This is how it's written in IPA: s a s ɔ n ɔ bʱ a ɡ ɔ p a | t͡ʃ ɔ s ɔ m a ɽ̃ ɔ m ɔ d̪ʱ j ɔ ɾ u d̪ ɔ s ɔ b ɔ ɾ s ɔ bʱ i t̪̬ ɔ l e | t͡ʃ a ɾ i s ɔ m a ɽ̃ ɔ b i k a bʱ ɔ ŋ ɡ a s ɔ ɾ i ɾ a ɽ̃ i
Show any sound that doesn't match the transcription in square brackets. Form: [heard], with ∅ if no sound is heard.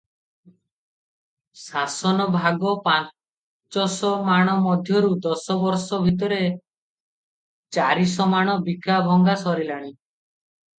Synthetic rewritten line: s a s ɔ n ɔ bʱ a ɡ ɔ p a | t͡ʃ ɔ s ɔ m a ɽ̃ ɔ m ɔ d̪ʱ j ɔ ɾ u d̪ ɔ s ɔ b ɔ ɾ s ɔ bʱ i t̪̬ ɔ [ɾ] e | t͡ʃ a ɾ i s ɔ m a ɽ̃ ɔ b i k a bʱ ɔ ŋ ɡ a s ɔ ɾ i [l] a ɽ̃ i